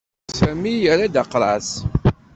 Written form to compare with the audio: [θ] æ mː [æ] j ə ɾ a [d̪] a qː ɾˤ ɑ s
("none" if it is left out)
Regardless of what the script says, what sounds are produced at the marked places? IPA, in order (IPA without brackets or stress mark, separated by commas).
s, i, d̪